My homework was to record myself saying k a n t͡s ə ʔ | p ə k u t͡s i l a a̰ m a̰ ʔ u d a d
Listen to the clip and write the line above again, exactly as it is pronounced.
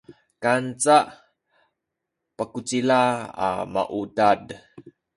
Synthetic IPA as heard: k a n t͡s a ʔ | p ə k u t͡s i l a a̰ m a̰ ʔ u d a d